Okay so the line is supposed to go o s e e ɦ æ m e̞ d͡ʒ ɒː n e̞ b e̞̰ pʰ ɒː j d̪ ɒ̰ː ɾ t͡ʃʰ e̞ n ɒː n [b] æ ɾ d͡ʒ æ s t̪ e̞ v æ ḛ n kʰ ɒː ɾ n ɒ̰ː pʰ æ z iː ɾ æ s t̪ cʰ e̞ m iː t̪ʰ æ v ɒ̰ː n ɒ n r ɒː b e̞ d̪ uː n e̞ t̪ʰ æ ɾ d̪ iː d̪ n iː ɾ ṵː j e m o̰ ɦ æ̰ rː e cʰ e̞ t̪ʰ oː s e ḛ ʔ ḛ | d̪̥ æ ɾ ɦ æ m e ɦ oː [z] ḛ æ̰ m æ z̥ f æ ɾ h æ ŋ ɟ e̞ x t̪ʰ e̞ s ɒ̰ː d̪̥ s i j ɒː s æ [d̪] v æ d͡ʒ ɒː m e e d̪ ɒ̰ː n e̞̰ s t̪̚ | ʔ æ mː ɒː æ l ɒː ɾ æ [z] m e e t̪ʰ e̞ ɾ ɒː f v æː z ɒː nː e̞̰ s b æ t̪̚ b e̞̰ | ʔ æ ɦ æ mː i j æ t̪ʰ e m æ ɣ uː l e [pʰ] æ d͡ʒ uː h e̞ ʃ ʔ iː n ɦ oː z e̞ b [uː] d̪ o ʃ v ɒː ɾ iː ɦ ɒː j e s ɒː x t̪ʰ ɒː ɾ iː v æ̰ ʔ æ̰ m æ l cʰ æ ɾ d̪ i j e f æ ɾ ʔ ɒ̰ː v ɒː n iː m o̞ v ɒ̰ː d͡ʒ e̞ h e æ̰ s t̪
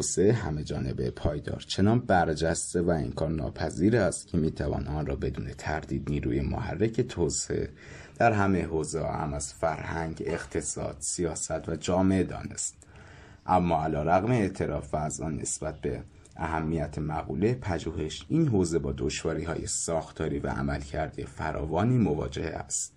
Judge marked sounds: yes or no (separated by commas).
yes, yes, no, no, yes, no